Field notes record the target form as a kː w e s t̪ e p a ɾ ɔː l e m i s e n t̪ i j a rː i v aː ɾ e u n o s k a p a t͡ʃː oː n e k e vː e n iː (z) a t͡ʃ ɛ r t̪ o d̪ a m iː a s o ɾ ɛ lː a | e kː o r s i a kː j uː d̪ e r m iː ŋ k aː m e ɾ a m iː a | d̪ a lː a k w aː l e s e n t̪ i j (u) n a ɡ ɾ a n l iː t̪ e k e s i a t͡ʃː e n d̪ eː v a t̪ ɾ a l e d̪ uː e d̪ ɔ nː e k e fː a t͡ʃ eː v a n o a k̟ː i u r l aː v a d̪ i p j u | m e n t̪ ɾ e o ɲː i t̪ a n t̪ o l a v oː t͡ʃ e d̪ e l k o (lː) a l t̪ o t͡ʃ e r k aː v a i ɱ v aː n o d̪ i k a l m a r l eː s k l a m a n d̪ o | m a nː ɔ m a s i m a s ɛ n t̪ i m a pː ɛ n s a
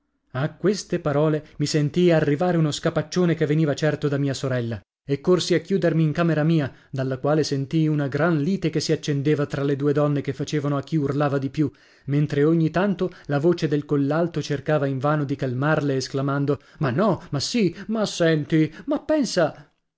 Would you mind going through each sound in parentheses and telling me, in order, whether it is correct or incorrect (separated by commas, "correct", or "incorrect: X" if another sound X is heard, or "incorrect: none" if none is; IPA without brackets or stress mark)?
incorrect: v, correct, correct